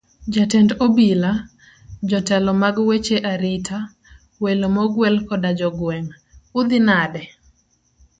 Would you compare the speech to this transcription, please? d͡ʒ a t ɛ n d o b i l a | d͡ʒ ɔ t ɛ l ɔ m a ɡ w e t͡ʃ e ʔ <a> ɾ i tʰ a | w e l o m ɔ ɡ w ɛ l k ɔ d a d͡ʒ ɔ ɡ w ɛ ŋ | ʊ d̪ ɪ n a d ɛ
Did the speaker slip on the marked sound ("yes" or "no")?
no